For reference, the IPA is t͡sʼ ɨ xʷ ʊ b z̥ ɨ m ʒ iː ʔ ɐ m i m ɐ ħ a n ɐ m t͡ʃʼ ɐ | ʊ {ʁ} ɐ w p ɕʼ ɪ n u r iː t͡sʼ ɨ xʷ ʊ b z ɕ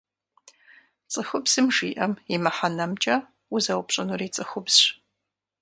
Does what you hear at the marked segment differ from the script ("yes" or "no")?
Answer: yes